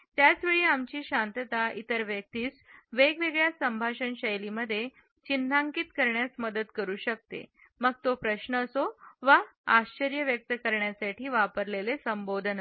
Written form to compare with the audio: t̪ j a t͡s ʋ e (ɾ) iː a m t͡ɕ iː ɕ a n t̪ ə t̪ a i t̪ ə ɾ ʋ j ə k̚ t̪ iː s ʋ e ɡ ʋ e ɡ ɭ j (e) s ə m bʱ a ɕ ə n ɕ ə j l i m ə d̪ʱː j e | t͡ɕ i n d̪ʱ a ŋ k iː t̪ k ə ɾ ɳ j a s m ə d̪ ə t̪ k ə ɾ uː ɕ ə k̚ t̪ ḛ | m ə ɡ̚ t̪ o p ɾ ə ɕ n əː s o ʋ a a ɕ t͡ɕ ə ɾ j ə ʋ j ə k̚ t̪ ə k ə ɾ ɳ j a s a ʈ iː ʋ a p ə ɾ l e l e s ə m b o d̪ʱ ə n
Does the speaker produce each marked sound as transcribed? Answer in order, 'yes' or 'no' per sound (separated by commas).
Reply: no, no